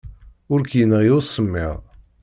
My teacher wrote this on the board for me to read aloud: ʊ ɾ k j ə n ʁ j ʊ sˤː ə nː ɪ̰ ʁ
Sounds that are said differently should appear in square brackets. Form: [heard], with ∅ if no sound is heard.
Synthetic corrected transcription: ʊ ɾ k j ə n ʁ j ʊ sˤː ə [mː] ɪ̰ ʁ

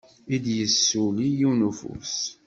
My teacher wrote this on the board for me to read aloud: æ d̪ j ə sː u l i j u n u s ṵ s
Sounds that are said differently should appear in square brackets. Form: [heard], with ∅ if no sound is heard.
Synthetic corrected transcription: [i] d̪ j ə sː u l i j u n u [f] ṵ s

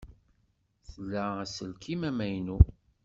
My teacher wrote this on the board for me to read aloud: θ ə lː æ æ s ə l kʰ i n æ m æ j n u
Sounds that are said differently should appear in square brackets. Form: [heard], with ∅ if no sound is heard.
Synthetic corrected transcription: θ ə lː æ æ s ə l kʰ i [m] æ m æ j n u

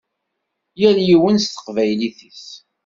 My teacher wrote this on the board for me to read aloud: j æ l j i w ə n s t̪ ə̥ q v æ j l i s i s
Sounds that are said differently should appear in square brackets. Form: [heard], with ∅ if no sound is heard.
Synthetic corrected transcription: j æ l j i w ə n s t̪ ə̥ q v æ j l i [θ] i s

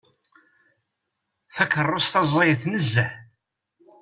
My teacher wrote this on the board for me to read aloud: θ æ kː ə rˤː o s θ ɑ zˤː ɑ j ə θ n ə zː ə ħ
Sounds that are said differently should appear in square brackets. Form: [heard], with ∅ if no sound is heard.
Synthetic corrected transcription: θ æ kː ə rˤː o s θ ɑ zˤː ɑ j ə θ n ə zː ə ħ

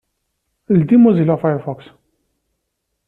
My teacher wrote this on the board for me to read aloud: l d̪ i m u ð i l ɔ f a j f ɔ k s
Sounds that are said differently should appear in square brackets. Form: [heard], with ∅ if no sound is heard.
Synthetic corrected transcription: l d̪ i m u [z] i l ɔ f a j f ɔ k s

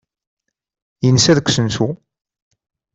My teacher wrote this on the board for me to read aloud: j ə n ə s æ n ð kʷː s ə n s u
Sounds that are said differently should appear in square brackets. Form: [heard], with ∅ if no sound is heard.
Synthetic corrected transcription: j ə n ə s æ [∅] ð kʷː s ə n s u

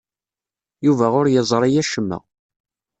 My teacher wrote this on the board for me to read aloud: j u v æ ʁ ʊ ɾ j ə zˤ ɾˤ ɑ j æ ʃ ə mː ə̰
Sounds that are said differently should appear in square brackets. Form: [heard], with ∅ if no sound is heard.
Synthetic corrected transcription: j u v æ ʁ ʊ ɾ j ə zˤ ɾˤ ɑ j æ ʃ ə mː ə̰

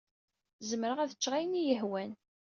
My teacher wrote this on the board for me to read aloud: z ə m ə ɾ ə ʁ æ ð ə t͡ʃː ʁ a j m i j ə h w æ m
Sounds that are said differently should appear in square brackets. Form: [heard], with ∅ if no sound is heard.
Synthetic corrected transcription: z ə m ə ɾ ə ʁ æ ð ə t͡ʃː ʁ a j [n] i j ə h w æ [n]

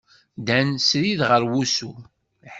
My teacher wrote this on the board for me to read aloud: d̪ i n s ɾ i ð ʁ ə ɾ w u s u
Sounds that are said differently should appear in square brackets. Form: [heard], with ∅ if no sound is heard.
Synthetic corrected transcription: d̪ [æ] n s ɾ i ð ʁ ə ɾ w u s u

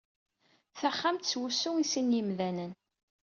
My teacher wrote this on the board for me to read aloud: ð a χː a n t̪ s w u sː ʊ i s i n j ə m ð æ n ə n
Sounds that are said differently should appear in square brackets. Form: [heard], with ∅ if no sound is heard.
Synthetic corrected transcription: [θ] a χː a [m] t̪ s w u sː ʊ i s i n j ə m ð æ n ə n

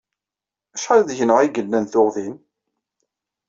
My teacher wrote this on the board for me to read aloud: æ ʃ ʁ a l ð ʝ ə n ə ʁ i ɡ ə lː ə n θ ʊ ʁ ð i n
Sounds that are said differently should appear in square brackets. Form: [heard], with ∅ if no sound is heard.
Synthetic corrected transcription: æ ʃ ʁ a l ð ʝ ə n ə ʁ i ɡ ə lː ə n θ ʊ ʁ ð i n

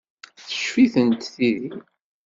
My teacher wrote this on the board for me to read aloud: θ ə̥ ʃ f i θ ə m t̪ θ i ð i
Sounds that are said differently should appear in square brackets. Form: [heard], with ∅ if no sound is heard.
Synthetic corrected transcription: θ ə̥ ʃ f i θ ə [n] t̪ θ i ð i

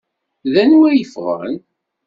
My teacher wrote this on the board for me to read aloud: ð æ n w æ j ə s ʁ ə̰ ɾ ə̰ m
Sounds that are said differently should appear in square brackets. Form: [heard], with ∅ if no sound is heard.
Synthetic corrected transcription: ð æ n w æ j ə [f] ʁ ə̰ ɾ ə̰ [n]

